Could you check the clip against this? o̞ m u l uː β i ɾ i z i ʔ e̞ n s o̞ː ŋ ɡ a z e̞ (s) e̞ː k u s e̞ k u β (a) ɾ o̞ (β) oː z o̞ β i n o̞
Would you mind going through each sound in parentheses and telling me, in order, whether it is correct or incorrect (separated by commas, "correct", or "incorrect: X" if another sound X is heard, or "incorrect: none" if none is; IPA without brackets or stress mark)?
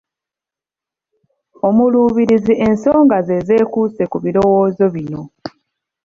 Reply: incorrect: z, incorrect: i, incorrect: w